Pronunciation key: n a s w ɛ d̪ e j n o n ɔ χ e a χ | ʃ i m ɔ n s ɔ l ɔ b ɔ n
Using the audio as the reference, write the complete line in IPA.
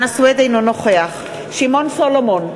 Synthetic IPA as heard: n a s w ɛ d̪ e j n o n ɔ χ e a χ | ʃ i m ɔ n s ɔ l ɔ m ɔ n